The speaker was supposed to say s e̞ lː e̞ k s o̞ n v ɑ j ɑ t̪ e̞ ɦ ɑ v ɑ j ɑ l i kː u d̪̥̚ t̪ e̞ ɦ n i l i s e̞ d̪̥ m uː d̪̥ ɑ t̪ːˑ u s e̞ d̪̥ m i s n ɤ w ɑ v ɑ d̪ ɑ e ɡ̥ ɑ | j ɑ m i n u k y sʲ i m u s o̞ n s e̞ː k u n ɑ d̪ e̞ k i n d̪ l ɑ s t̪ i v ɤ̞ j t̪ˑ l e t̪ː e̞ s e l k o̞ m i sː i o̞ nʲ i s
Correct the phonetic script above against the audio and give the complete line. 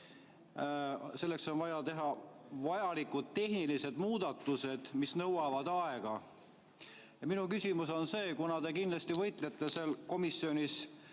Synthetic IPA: s e̞ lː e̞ k s o̞ n v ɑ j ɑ t̪ e̞ ɦ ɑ v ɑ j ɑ l i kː u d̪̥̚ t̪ e̞ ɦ n i l i s e̞ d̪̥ m uː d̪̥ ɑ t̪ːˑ u s e̞ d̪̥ m i s n ɤ w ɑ v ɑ d̪ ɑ e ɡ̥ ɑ | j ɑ m i n u k y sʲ i m u s o̞ n s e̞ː k u n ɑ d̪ e̞ k i n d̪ l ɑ s t̪ i v ɤ̞ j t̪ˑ l e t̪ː e̞ s e l k o̞ m i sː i o̞ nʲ i s